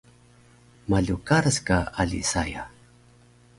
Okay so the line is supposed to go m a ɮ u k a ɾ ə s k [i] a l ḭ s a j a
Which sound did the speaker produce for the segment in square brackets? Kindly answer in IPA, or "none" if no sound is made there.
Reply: a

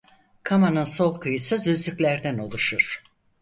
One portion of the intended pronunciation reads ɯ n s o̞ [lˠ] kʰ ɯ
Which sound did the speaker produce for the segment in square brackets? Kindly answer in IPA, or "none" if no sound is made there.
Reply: lˠ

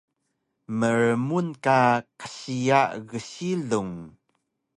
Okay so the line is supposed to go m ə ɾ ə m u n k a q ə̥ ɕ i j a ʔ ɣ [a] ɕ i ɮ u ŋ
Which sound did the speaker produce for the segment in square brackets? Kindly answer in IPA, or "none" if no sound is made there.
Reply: ə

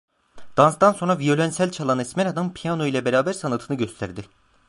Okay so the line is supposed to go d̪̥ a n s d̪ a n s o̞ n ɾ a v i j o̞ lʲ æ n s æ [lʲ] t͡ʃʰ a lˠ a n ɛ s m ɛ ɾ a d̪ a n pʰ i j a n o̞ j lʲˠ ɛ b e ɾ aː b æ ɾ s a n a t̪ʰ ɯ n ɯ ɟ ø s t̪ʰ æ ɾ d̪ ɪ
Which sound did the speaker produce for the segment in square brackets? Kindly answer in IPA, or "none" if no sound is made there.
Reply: lʲ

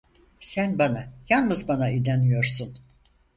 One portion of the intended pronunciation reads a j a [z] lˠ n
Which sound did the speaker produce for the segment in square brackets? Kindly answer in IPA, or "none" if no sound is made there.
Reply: none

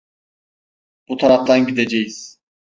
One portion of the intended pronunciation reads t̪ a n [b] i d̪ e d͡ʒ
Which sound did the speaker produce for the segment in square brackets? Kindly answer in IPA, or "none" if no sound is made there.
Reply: ɟ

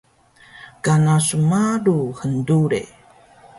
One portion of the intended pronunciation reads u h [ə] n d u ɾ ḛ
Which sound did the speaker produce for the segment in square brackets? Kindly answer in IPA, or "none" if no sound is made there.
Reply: ə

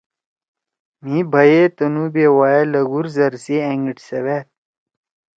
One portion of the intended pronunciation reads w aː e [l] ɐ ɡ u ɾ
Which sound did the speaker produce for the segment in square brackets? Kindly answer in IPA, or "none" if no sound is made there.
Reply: l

